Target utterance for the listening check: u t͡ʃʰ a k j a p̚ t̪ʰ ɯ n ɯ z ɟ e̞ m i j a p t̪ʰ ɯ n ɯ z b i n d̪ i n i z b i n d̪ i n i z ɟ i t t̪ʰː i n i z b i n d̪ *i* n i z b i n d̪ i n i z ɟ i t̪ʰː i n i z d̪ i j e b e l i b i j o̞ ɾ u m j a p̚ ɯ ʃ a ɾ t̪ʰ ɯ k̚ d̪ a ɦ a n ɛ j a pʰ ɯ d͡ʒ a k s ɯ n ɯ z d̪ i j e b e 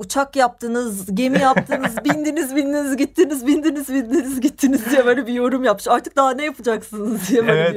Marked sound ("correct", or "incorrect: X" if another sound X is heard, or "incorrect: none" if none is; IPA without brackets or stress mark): correct